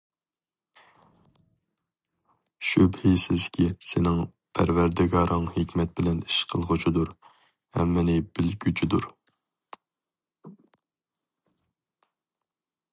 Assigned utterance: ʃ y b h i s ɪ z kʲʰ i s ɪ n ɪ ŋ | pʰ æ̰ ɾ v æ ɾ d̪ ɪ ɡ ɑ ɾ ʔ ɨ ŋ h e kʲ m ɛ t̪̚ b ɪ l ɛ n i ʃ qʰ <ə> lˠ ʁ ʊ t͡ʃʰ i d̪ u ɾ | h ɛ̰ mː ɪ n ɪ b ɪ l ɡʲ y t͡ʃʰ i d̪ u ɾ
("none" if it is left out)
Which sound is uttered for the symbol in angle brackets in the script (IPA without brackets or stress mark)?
ə